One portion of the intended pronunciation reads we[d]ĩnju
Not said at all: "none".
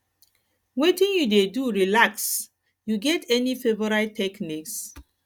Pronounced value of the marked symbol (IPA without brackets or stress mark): t